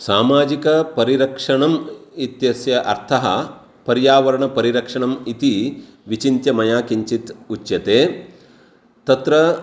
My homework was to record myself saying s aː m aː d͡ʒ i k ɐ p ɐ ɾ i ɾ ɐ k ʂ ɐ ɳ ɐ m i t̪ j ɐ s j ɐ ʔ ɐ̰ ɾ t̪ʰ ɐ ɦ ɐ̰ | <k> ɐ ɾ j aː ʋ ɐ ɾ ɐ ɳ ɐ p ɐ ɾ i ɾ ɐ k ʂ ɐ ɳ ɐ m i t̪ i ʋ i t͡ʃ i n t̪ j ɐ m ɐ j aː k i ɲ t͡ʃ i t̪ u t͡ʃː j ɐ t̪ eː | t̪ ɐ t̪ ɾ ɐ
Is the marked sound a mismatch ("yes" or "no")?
yes